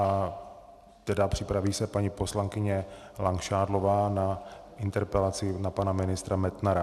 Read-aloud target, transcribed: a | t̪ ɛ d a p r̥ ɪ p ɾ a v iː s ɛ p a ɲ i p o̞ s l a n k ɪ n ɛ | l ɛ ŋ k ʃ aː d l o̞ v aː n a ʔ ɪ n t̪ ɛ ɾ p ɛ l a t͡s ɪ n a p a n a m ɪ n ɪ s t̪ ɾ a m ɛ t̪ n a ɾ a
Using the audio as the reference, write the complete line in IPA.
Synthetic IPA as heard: a | t̪ ɛ d a p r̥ ɪ p ɾ a v iː s ɛ p a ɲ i p o̞ s l a ŋ k ɪ ɲ ɛ | l a ŋ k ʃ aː d l o̞ v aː n a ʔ ɪ n t̪ ɛ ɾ p ɛ l a t͡s ɪ n a p a n a m ɪ n ɪ s t̪ ɾ a m ɛ t̪ n a ɾ a